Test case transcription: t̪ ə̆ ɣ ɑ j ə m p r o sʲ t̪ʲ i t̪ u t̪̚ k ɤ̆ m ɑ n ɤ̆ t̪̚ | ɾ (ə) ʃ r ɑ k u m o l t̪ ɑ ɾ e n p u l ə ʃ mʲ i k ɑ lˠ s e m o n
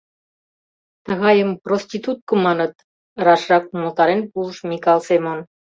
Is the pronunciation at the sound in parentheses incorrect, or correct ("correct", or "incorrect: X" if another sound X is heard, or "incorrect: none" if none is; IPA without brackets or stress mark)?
incorrect: ɑ